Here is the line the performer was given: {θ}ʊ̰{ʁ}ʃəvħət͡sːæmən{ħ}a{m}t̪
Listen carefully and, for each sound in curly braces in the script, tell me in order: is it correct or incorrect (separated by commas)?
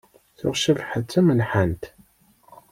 correct, correct, correct, incorrect